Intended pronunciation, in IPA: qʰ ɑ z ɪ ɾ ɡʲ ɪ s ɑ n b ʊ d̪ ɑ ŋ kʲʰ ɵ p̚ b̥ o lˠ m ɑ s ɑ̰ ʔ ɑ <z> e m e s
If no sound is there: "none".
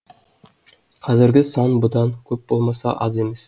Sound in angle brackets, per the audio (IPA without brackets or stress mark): z